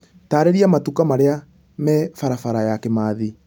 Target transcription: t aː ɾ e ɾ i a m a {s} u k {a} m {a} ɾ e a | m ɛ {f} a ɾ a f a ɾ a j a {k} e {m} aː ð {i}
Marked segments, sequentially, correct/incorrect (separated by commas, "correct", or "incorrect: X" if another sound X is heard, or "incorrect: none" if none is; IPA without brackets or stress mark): incorrect: t, correct, correct, correct, correct, correct, correct